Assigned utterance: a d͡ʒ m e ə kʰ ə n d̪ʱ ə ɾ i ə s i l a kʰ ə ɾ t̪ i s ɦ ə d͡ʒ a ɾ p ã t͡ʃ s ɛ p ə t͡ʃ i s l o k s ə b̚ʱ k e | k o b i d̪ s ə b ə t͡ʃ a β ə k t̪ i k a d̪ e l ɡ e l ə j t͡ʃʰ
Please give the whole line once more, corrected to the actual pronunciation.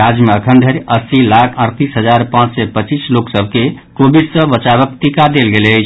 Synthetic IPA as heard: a d͡ʒ m e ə kʰ ə n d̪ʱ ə ɾ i ə s i l a kʰ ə ɾ t̪ i s ɦ ə d͡ʒ a ɾ p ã t͡ʃ s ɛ p ə t͡ʃ i s l o k s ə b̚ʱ k e | k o b i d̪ s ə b ə t͡ʃ a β ə k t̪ i k a d̪ e l ɡ e l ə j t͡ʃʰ